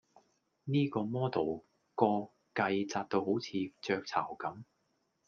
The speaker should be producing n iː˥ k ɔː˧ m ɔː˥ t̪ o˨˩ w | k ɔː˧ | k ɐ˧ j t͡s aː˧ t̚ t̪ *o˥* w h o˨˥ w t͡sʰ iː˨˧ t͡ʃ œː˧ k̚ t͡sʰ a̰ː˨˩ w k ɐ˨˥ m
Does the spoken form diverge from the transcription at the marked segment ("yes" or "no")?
yes